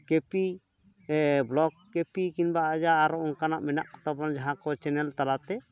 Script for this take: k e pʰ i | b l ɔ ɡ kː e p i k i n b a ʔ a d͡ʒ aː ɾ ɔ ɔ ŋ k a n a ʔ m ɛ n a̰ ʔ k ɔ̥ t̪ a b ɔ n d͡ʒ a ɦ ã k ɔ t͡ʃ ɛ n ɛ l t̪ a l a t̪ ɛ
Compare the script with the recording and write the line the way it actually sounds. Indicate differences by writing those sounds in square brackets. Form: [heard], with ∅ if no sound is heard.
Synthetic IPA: k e [p] i | b l ɔ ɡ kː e p i k i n b a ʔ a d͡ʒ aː ɾ ɔ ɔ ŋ k a n a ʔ m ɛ n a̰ ʔ k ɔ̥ t̪ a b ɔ n d͡ʒ a ɦ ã k ɔ t͡ʃ ɛ n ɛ l t̪ a l a t̪ ɛ